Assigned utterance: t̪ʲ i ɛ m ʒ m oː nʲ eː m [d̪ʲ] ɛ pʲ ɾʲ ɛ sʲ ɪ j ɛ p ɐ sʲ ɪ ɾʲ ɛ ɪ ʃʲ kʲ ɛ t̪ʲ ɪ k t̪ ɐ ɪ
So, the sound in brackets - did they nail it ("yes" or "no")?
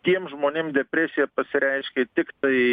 yes